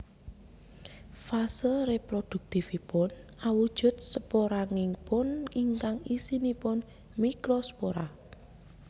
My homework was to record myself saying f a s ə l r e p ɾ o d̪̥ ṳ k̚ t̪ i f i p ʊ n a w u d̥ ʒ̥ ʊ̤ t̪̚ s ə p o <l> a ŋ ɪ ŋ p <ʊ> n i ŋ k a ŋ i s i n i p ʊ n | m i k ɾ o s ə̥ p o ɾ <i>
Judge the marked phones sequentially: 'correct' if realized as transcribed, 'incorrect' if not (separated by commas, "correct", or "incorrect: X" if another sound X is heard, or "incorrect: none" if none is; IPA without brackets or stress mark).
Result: incorrect: ɾ, correct, incorrect: a